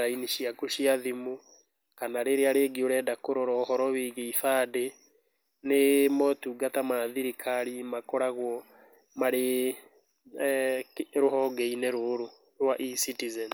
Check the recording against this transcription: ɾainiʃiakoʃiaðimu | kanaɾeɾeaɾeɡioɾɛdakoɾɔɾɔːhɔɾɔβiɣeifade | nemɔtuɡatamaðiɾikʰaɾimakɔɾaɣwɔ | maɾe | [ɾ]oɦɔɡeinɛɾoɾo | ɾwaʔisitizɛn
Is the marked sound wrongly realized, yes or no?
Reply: no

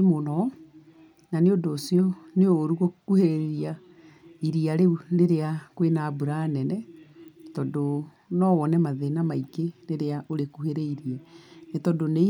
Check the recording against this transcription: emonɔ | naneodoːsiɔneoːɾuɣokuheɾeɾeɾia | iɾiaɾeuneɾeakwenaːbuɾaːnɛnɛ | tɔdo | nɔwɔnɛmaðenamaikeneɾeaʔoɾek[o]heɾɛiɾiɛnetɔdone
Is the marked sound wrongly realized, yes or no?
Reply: yes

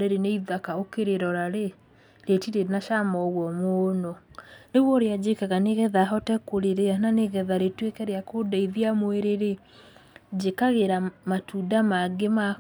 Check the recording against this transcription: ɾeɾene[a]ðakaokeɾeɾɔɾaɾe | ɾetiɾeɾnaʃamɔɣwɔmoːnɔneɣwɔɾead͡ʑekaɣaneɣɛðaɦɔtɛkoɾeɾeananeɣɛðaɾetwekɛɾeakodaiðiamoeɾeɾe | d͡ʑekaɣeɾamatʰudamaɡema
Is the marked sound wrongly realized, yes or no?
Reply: yes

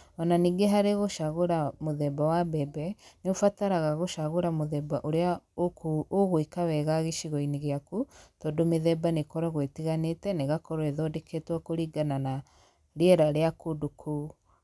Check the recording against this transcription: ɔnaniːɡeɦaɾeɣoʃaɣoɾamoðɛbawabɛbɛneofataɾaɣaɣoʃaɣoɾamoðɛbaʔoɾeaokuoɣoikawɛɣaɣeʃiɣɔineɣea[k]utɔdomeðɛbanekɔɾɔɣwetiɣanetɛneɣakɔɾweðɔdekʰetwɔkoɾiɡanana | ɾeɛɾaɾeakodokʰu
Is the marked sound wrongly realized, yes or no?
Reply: no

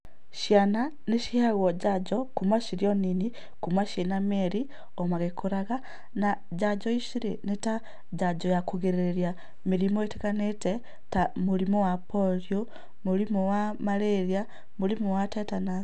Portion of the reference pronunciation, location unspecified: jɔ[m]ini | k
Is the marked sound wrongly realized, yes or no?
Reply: yes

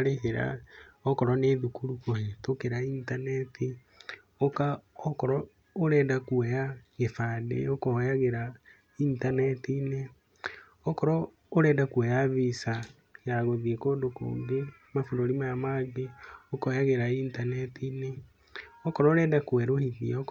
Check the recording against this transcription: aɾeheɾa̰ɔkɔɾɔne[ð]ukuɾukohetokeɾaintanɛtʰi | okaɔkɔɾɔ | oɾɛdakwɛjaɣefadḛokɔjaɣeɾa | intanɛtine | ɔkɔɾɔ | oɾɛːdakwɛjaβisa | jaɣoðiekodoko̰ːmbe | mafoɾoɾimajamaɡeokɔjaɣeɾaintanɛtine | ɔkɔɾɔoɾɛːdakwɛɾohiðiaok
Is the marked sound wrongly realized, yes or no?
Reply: no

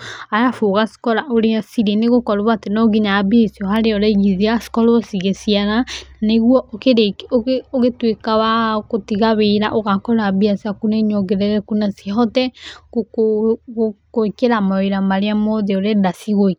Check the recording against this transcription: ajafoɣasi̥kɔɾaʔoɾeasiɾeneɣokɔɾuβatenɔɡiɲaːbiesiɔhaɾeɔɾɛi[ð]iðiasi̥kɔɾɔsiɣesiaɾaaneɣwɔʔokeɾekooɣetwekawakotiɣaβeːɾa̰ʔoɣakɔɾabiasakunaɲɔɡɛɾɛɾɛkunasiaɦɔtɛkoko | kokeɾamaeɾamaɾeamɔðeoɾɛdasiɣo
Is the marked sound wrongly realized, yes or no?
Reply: yes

